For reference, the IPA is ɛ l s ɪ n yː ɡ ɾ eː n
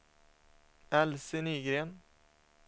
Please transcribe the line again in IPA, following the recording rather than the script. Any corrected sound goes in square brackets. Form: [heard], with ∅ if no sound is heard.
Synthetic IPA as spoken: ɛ l s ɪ n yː ɡ ɾ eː n